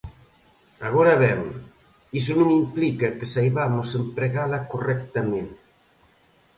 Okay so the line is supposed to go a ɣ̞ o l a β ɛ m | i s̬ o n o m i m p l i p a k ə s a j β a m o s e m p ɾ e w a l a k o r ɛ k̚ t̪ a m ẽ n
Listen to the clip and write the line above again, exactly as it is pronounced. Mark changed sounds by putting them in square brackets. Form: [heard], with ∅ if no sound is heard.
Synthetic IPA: a ɣ̞ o [ɾ] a β ɛ m | i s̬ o n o m i m p l i [k] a k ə s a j β a m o s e m p ɾ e [ɣ] a l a k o r ɛ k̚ t̪ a m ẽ n